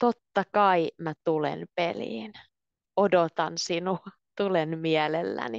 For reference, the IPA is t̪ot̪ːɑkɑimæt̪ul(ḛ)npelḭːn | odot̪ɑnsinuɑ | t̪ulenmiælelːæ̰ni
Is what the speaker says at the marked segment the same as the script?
yes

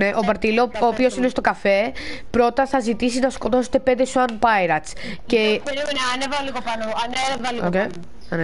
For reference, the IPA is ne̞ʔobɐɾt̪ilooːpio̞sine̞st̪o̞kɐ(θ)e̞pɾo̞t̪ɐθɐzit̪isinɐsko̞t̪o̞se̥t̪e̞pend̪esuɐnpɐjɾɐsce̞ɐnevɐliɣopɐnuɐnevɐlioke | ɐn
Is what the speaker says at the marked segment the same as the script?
no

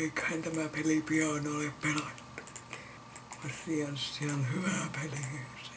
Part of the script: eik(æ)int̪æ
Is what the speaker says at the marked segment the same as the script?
yes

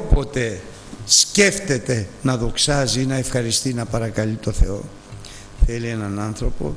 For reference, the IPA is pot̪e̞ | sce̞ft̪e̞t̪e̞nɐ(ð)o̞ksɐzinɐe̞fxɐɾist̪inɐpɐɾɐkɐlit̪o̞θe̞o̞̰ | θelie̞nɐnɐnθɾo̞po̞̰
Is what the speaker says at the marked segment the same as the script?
yes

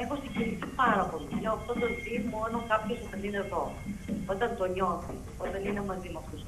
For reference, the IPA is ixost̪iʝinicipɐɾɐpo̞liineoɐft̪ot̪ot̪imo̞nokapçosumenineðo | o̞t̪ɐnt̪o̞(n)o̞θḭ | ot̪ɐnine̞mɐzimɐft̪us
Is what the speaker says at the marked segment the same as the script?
no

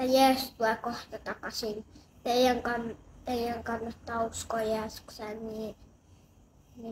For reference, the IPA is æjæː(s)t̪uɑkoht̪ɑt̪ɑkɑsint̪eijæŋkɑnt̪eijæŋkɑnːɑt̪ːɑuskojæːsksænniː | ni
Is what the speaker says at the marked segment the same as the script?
yes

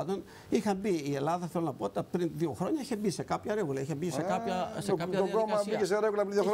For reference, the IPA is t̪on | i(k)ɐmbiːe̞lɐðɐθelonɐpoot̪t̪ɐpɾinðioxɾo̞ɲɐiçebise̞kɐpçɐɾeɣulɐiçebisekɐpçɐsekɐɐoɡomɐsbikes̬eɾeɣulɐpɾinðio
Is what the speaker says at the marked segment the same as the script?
no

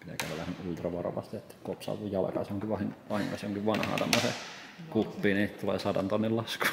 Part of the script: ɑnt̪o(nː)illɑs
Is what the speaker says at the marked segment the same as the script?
yes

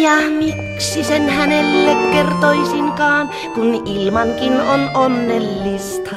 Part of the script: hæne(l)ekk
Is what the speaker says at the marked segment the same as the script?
no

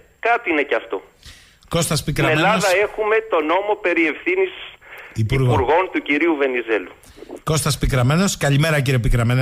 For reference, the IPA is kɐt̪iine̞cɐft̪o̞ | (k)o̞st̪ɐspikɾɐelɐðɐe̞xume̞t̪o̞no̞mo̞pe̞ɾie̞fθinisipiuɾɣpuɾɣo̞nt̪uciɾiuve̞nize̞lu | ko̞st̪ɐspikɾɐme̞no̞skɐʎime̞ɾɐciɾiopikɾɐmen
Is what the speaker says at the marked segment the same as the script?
yes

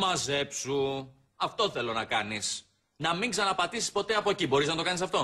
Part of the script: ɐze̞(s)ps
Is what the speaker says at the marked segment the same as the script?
no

